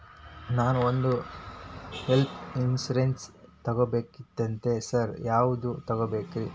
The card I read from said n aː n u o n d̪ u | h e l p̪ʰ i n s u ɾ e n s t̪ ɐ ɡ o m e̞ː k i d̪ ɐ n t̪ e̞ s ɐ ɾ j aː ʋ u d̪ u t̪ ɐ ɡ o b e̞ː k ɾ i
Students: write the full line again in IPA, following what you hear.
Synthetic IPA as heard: n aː n u o n d̪ u | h e l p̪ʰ i n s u ɾ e n s t̪ ɐ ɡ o b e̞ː k i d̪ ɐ n t̪ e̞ s ɐ ɾ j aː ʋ u d̪ u t̪ ɐ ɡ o b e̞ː k ɾ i

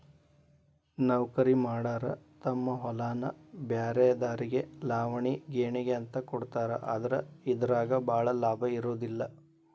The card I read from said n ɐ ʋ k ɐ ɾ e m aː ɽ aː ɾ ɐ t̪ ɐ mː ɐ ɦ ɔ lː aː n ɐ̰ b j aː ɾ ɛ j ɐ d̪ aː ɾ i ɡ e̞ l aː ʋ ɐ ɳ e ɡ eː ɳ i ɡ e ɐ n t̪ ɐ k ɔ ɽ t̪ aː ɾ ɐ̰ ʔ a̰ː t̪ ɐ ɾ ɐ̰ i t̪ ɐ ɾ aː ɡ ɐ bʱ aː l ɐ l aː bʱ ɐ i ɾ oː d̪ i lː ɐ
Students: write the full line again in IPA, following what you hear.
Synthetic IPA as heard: n ɐ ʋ k ɐ ɾ i m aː ɽ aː ɾ ɐ t̪ ɐ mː ɐ ɦ ɔ l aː n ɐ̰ b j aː ɾ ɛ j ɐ d̪ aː ɾ i ɡ e̞ l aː ʋ ɐ ɳ i ɡ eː ɳ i ɡ e ɐ n t̪ ɐ k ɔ ɽ t̪ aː ɾ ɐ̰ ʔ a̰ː d̪ ɐ ɾ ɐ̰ i d̪ ɐ ɾ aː ɡ ɐ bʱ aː ɭ ɐ l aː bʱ ɐ i ɾ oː d̪ i lː ɐ

